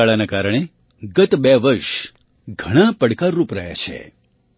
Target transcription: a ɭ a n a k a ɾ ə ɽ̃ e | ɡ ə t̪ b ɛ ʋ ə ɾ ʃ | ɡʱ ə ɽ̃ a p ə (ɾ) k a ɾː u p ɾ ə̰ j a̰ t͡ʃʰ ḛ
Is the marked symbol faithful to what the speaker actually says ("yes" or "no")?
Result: no